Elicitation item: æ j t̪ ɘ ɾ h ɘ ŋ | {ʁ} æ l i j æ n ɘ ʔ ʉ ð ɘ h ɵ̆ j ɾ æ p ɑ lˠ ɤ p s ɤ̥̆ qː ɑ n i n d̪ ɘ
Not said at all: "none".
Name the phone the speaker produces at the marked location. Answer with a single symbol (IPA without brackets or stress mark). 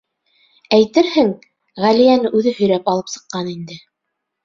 ʁ